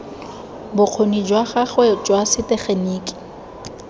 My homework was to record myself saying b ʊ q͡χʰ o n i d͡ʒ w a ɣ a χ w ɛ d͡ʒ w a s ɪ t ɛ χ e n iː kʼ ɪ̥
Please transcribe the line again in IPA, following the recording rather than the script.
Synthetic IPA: b ʊ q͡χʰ o n i d͡ʒ w a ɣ a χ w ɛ d͡ʒ w a s ɪ t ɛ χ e n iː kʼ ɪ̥